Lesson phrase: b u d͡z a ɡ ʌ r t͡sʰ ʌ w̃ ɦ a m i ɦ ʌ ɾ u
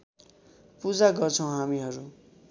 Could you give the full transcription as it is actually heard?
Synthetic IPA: p u d͡z a ɡ ʌ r t͡sʰ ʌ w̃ ɦ a m i ɦ ʌ ɾ u